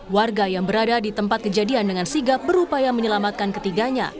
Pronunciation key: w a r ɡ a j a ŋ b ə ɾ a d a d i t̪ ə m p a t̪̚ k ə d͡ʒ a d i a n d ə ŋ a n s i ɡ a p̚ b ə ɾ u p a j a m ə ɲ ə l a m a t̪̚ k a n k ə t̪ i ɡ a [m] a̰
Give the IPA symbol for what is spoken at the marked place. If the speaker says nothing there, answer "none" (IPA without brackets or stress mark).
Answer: ɲ